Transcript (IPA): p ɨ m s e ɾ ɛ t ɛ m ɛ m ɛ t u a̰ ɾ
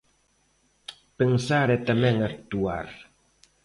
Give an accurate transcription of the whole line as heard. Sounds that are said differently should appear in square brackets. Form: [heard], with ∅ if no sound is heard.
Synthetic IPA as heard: p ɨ [ŋ] s [a] ɾ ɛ t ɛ m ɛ [ŋ] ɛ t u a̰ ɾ